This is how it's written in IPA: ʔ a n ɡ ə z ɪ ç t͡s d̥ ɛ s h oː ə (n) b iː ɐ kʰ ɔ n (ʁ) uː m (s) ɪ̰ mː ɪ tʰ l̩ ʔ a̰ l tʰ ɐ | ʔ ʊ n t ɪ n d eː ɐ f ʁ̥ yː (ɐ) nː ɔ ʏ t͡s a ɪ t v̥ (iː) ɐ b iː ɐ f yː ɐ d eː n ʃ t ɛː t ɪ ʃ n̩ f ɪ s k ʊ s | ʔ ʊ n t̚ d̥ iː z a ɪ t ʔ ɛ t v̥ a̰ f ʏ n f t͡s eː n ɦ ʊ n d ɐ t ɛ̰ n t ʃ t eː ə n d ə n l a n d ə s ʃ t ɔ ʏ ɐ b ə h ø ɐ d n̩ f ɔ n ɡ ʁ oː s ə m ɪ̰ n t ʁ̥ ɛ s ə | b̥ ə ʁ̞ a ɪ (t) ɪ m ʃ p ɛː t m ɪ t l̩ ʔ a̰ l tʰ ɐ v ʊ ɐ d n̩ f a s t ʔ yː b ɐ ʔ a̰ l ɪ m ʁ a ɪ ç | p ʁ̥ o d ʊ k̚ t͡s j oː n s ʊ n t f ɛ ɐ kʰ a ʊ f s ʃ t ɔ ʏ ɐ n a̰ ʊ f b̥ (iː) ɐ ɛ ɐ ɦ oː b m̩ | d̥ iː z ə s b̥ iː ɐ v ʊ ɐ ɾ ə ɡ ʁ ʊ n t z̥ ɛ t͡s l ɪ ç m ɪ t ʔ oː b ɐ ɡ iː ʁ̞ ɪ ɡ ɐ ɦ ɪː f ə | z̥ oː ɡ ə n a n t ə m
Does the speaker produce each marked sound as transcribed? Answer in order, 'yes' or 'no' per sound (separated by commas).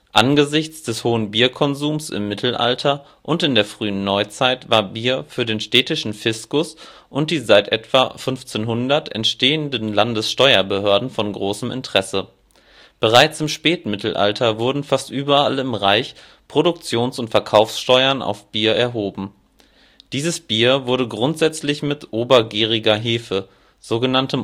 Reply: yes, no, yes, no, no, no, yes